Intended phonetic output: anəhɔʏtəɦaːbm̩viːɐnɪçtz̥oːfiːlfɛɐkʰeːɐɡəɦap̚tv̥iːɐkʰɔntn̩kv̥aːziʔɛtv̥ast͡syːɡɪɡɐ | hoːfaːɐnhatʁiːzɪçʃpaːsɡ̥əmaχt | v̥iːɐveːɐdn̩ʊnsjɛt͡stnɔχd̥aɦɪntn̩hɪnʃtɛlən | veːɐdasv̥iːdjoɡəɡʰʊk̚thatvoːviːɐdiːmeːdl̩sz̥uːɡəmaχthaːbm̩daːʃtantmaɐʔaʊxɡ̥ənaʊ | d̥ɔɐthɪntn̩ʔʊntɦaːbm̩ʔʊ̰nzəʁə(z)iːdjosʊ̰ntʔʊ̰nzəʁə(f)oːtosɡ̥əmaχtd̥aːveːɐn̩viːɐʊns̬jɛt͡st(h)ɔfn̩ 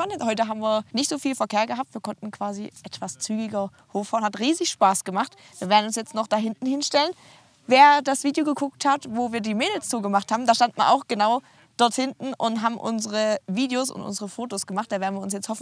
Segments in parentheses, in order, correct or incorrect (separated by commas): incorrect, correct, correct